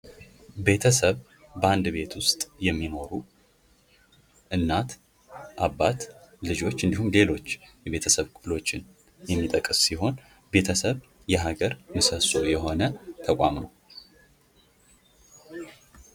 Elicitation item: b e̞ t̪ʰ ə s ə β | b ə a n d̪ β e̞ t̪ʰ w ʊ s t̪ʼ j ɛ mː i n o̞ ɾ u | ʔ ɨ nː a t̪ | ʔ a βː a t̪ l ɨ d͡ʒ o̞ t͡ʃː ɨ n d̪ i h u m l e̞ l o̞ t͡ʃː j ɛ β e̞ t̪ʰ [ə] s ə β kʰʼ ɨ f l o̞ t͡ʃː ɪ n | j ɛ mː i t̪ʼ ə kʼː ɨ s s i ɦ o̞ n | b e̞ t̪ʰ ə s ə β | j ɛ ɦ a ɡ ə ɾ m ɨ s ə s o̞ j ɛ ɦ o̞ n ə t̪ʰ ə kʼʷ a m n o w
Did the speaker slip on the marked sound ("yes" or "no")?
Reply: no